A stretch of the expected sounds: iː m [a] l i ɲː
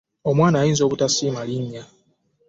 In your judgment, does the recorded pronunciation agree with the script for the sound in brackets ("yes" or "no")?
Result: yes